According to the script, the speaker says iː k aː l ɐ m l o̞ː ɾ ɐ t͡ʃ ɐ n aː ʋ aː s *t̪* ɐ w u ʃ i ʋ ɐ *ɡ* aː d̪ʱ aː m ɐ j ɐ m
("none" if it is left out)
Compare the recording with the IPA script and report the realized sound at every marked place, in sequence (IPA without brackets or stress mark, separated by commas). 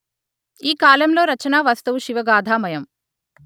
t̪, ɡ